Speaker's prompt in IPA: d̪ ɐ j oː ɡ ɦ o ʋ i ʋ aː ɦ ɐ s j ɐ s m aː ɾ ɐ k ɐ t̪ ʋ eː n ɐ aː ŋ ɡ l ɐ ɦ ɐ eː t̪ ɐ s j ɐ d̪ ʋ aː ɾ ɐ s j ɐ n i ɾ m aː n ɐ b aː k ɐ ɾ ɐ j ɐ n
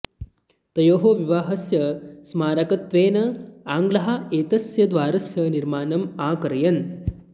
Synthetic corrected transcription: t̪ ɐ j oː ɦ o ʋ i ʋ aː ɦ ɐ s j ɐ s m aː ɾ ɐ k ɐ t̪ ʋ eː n ɐ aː ŋ ɡ l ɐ ɦ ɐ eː t̪ ɐ s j ɐ d̪ ʋ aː ɾ ɐ s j ɐ n i ɾ m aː n ɐ m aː k ɐ ɾ ɐ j ɐ n